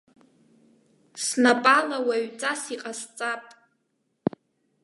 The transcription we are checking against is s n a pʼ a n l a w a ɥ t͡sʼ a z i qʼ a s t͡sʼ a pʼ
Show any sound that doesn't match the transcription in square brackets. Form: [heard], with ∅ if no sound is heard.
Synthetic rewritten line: s n a pʼ a [∅] l a w a ɥ t͡sʼ a [s] i qʼ a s t͡sʼ a pʼ